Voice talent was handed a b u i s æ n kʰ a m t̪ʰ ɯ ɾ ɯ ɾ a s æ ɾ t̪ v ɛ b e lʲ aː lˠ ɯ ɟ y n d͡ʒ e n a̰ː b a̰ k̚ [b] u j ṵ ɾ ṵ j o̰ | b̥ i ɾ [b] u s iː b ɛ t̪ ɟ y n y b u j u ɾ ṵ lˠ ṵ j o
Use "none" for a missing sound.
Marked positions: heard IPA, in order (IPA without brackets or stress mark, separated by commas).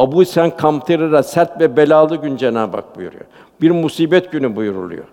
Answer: b, m